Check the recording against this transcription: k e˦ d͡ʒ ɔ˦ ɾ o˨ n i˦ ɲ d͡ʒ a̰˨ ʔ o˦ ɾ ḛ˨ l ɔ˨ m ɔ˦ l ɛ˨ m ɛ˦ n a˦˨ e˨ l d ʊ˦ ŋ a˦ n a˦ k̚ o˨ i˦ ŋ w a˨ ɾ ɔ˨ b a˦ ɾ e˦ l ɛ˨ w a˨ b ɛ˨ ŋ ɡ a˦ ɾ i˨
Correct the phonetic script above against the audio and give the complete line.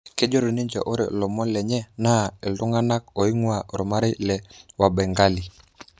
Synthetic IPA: k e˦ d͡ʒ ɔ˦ ɾ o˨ n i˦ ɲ d͡ʒ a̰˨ ʔ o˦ ɾ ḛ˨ l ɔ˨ m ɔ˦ l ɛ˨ ɲ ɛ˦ n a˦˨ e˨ l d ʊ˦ ŋ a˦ n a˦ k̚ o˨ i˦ ŋ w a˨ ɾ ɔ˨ m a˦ ɾ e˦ l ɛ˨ w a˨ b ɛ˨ ŋ ɡ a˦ l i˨